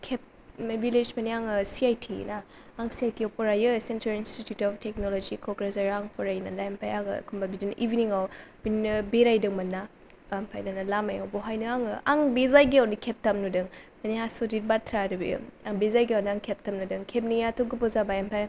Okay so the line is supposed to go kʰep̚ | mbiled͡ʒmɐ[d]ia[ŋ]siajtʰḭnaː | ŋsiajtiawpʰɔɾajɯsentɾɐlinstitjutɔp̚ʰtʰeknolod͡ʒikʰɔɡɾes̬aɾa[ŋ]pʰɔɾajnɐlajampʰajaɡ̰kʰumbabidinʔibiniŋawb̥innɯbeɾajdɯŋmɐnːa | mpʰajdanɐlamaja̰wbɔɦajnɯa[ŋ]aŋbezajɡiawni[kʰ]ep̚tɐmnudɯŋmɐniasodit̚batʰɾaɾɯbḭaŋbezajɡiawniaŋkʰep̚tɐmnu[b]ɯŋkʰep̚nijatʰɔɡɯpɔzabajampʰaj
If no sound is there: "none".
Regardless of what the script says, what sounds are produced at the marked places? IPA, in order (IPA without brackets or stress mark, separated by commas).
n, ŋ, ŋ, ŋ, kʰ, d